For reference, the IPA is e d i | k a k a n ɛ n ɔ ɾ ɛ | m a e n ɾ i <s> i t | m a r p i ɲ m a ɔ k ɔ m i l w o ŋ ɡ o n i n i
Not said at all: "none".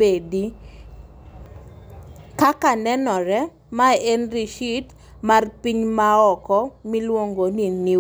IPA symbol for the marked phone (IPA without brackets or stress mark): ʃ